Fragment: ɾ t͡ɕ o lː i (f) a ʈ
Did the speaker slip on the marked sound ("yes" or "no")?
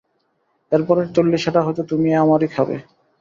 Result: yes